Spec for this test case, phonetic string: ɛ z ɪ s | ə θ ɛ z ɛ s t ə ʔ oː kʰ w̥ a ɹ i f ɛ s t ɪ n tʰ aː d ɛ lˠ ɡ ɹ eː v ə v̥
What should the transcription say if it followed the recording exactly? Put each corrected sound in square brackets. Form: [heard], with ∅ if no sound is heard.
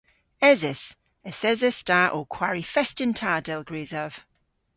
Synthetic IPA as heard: ɛ z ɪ s | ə θ ɛ z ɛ s t [a] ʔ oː kʰ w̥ a ɹ i f ɛ s t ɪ n tʰ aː d ɛ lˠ ɡ ɹ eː [z] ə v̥